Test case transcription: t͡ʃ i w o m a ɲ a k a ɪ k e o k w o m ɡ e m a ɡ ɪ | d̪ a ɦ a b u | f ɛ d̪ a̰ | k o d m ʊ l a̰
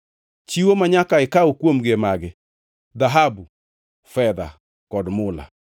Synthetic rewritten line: t͡ʃ i w o m a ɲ a k a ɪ k a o k w o m ɡ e m a ɡ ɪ | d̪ a ɦ a b u | f ɛ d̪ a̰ | k ɔ d m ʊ l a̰